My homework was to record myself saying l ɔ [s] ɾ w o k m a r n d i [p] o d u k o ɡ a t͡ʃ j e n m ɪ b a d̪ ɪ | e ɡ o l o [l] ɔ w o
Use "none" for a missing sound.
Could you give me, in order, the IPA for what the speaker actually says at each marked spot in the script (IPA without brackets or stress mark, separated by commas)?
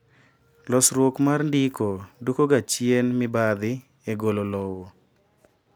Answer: s, k, l